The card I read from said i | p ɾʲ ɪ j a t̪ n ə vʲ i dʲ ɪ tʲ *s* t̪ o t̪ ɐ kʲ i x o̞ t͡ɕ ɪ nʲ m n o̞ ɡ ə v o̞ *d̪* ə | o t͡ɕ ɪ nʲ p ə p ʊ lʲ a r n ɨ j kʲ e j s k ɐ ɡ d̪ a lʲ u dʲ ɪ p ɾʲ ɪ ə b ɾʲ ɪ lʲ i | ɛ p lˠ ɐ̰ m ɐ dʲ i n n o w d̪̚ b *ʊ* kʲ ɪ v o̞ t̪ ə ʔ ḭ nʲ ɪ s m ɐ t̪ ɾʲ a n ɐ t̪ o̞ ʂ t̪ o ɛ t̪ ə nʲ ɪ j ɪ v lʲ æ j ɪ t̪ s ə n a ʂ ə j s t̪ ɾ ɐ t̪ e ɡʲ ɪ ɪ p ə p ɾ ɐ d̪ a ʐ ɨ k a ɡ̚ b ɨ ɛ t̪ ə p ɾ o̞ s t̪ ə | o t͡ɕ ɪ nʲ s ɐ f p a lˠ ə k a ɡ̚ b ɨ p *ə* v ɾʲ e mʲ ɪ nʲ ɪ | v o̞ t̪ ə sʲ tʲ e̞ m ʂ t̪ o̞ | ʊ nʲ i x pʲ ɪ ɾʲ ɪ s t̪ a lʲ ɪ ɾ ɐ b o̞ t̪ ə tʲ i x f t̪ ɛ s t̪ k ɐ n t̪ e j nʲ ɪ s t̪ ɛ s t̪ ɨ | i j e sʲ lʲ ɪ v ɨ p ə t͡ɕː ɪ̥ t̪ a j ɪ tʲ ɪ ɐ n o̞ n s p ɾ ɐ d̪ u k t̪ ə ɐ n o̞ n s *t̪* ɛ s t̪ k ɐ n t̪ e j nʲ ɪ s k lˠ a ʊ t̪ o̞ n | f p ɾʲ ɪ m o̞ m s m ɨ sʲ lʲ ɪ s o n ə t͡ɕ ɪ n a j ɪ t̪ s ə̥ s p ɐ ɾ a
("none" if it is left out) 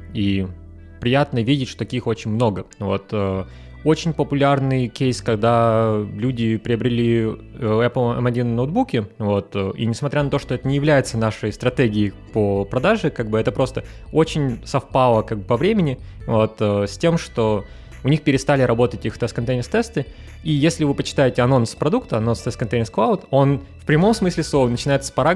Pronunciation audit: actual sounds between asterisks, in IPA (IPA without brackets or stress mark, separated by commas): ʂ, t̪, u, ɐ, t̪